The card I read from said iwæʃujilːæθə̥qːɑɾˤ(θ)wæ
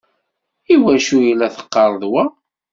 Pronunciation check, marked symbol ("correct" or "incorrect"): incorrect